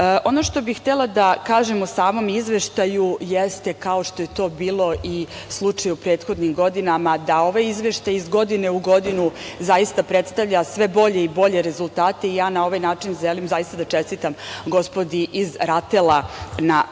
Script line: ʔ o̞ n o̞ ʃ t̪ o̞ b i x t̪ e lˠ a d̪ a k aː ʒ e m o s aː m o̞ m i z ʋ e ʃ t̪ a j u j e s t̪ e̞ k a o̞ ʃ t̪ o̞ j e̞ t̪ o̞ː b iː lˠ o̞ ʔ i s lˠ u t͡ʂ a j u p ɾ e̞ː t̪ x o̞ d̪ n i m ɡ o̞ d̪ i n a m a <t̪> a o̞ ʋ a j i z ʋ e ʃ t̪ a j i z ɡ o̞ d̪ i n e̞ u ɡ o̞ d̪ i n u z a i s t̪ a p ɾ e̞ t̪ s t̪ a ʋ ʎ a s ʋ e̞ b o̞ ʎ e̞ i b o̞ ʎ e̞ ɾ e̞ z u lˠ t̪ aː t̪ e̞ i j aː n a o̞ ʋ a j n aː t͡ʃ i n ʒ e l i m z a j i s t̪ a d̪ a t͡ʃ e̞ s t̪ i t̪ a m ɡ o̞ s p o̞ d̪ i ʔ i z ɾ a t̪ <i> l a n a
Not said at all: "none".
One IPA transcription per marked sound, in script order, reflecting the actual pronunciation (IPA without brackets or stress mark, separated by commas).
d̪, e